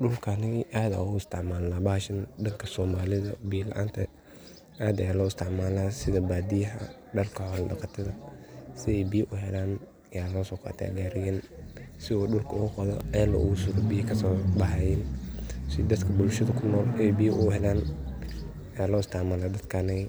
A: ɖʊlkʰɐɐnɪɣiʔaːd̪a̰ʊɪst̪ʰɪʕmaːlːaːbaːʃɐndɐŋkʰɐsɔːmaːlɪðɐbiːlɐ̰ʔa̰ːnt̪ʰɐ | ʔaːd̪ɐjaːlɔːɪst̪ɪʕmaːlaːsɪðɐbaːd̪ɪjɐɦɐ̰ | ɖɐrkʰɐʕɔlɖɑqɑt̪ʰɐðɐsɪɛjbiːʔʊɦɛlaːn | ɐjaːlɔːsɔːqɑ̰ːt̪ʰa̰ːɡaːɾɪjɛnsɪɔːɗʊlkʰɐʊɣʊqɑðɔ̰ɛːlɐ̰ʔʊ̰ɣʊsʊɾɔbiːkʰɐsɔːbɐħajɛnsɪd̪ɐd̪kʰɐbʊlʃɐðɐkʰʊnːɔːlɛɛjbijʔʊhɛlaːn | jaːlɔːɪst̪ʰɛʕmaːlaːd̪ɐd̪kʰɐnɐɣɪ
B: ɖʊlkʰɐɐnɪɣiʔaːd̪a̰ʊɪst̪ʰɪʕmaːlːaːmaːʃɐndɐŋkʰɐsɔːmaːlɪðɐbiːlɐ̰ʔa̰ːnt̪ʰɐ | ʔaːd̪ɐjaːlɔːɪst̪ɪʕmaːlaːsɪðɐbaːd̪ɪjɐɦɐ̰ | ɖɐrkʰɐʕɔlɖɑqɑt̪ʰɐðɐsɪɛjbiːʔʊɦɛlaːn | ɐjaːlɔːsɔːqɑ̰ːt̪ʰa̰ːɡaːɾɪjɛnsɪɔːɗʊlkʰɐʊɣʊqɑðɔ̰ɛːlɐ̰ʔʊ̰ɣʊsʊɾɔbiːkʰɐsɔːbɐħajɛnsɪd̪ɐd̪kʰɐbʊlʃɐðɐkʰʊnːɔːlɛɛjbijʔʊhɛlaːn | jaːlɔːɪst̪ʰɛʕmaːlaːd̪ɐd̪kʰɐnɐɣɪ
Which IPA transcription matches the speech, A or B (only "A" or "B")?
A